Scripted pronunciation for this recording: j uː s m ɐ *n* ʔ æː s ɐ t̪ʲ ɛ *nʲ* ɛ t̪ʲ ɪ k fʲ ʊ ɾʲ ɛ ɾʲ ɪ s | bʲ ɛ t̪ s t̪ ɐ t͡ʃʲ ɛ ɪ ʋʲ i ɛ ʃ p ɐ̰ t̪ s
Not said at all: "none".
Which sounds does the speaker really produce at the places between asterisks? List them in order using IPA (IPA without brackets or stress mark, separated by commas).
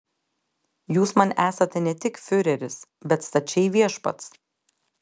n, nʲ